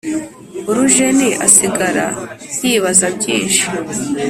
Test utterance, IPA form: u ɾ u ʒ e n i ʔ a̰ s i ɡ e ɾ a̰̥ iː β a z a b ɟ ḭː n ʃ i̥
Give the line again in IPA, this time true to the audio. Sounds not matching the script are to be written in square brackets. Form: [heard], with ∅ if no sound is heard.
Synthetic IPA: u ɾ u ʒ e n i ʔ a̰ s i ɡ [a] ɾ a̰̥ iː β a z a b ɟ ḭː n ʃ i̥